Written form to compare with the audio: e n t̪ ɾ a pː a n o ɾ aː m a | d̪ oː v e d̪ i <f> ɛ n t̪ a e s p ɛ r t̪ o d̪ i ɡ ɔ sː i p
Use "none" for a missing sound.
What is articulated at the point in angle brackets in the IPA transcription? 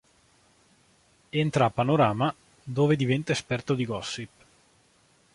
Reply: v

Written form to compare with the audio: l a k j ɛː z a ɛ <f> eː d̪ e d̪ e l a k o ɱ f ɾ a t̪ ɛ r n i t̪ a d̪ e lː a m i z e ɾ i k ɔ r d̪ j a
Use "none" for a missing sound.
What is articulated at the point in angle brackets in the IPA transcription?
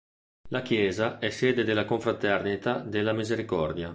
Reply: s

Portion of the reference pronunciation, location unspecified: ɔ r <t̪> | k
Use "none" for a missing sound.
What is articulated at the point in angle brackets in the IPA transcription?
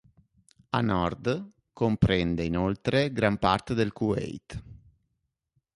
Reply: d̪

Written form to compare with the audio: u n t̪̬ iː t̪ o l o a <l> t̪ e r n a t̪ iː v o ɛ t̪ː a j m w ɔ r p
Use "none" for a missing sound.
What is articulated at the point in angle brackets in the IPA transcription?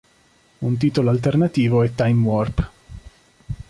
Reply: l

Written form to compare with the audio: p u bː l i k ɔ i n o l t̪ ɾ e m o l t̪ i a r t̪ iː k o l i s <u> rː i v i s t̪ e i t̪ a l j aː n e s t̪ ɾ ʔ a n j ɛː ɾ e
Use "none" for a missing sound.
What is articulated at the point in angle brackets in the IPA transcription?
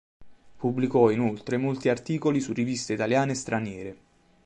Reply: u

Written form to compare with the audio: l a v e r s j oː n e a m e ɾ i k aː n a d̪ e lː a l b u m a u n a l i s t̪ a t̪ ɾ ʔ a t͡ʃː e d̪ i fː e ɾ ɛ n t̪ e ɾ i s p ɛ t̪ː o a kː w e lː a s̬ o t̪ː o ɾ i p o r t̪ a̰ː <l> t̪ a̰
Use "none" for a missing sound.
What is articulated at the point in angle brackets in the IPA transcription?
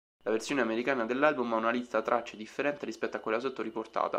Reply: none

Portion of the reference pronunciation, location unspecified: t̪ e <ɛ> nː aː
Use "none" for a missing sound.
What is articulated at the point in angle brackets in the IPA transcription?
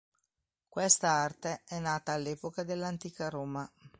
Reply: ɛ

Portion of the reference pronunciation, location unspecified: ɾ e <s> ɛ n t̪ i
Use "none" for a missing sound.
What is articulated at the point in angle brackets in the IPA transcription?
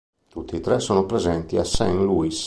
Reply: z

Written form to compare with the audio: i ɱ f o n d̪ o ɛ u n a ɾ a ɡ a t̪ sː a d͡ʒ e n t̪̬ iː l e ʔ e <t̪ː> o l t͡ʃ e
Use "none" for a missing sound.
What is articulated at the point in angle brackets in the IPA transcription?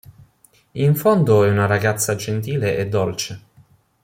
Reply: d̪ː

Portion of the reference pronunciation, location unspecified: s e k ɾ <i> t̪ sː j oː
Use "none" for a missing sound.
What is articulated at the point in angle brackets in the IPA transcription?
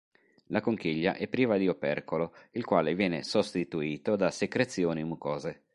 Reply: e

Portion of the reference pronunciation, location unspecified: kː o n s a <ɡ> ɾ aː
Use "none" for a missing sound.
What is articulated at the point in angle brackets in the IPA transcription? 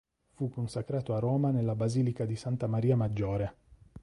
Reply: k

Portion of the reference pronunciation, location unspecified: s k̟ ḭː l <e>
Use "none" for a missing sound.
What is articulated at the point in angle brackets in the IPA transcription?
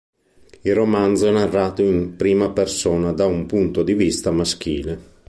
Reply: e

